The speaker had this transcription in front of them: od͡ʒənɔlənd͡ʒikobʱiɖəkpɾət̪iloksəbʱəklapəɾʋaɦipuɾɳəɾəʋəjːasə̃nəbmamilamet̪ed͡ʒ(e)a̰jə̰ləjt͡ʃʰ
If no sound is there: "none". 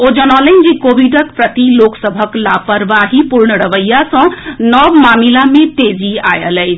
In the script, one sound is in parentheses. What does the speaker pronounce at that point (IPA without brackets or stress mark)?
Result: i